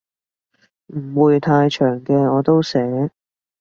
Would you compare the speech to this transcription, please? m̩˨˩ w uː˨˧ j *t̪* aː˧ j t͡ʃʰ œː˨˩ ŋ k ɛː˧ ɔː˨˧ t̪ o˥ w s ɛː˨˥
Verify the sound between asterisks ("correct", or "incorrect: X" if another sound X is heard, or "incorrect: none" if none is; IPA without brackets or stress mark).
incorrect: t̪ʰ